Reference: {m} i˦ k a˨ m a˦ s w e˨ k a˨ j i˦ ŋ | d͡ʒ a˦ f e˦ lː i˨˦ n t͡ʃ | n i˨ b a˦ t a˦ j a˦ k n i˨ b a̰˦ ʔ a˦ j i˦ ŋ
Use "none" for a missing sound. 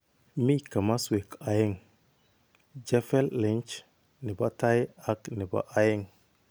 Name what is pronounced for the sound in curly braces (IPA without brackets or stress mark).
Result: m